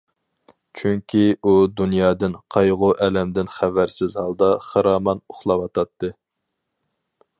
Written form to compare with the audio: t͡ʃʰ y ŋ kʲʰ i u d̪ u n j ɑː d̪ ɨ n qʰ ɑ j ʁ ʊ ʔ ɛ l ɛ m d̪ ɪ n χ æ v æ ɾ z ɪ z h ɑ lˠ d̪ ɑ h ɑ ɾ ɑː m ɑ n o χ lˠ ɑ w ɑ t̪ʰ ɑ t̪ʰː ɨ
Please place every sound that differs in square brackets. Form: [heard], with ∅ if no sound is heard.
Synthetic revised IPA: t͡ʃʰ y ŋ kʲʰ i u d̪ u n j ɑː d̪ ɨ n qʰ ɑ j ʁ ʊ ʔ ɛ l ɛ m d̪ ɪ n χ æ v æ ɾ [s] ɪ z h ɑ lˠ d̪ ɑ [χ] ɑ ɾ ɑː m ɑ n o χ lˠ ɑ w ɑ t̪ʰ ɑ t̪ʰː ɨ